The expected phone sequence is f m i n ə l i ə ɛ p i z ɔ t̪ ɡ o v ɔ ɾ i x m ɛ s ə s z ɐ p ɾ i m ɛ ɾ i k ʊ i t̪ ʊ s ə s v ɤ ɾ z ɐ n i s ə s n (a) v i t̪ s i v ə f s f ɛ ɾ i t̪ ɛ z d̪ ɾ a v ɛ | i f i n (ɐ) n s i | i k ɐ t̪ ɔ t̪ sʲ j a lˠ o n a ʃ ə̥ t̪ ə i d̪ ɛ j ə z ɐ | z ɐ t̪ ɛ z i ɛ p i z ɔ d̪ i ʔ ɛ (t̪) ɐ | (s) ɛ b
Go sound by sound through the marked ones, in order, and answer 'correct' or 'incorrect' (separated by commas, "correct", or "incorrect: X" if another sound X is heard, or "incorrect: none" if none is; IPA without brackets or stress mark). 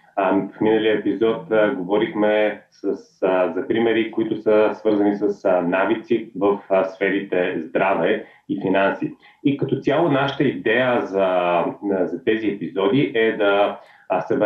correct, incorrect: a, incorrect: d̪, correct